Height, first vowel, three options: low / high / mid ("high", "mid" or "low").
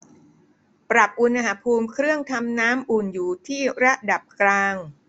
low